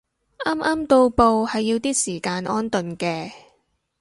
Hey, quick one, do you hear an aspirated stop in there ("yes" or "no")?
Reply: no